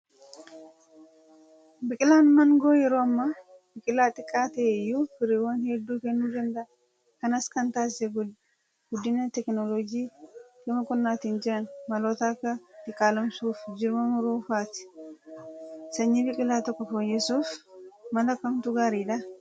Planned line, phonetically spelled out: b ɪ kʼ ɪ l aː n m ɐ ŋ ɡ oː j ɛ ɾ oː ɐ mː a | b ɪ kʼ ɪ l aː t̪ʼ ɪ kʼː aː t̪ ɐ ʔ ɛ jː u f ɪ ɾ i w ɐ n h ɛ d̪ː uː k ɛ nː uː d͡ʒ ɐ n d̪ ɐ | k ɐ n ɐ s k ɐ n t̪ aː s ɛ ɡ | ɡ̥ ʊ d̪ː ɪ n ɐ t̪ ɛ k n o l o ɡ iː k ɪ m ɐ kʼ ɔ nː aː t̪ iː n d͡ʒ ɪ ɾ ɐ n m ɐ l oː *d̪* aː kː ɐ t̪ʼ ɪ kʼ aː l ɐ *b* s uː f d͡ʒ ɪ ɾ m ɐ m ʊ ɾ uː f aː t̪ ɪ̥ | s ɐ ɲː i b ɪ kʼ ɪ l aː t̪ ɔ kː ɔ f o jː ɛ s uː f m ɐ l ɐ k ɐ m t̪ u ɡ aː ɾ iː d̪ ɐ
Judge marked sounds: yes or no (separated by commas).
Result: no, no